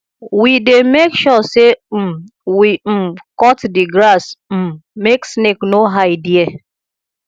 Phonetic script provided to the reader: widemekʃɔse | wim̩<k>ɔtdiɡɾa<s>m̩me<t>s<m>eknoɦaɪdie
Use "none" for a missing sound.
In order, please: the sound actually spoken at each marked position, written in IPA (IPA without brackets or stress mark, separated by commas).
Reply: k, s, k, n